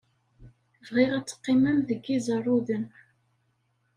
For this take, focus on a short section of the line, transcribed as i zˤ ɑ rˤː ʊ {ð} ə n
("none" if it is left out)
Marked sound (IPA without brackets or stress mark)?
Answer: ð